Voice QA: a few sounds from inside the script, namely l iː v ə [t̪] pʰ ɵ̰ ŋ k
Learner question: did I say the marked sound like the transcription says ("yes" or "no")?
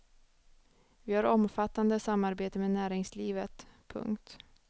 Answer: yes